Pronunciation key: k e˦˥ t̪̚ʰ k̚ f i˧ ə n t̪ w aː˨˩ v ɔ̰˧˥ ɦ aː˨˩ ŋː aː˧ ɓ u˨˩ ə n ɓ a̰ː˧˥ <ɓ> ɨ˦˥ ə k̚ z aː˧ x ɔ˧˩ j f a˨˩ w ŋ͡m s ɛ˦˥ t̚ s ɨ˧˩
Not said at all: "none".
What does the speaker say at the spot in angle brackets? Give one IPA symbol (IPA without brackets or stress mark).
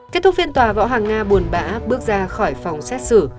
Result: ɓ